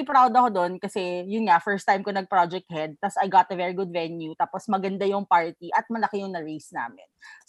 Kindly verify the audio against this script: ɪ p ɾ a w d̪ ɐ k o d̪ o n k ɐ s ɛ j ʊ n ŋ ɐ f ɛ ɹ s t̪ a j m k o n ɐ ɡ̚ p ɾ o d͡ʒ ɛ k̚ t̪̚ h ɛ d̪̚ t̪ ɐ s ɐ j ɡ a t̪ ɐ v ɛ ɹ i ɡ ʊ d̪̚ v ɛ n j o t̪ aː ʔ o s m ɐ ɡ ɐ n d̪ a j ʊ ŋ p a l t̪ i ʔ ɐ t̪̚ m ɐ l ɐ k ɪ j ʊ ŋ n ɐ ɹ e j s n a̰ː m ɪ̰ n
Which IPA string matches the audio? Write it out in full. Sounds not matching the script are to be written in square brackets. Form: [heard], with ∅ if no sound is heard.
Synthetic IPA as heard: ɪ p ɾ a w d̪ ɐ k o d̪ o n k ɐ s ɛ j ʊ n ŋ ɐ f ɛ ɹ s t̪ a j m k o n ɐ ɡ̚ p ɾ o d͡ʒ ɛ k̚ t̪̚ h ɛ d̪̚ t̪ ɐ s ɐ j ɡ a t̪ ɐ v ɛ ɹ i ɡ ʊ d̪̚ v ɛ n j [u] t̪ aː [p] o s m ɐ ɡ ɐ n d̪ a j ʊ ŋ p a [ɹ] t̪ i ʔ ɐ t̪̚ m ɐ l ɐ k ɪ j ʊ ŋ n ɐ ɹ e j s n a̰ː m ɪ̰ n